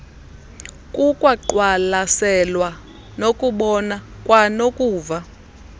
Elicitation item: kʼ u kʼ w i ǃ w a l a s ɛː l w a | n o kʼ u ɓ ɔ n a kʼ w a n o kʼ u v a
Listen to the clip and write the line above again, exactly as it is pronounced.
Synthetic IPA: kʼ u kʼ w a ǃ w a l a s ɛ l w a | n o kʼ u ɓ ɔ n a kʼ w a n o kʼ uː v a